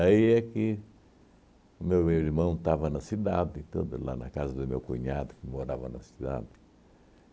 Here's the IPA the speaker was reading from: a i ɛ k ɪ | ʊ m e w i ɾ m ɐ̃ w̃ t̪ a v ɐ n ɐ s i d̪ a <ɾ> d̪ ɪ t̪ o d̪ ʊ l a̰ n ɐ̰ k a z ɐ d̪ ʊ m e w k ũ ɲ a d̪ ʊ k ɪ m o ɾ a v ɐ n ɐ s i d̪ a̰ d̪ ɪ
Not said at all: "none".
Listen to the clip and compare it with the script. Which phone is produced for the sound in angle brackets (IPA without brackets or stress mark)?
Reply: none